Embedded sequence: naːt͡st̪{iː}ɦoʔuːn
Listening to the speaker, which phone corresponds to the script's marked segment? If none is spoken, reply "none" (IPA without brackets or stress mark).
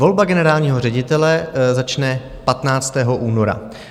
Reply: ɛː